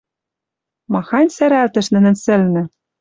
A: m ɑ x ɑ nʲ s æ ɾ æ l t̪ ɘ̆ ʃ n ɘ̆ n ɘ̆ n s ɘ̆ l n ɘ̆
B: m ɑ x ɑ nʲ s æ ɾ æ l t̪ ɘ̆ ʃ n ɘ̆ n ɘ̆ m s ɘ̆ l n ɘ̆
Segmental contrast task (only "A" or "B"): A